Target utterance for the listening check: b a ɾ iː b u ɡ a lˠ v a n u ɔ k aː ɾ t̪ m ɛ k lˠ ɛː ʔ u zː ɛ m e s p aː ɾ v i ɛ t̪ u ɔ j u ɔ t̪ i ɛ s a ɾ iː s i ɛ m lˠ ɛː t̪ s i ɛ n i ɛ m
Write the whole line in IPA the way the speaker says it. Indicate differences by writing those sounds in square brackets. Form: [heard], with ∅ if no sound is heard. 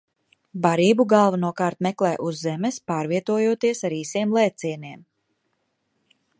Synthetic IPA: b a ɾ iː b u ɡ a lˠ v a n u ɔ k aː ɾ t̪ m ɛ k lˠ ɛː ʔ u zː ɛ m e s p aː ɾ v i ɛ t̪ u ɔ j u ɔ t̪ i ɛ s a ɾ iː s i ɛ m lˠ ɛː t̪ s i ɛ n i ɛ m